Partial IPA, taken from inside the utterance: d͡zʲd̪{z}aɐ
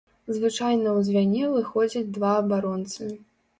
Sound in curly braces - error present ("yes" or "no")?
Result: yes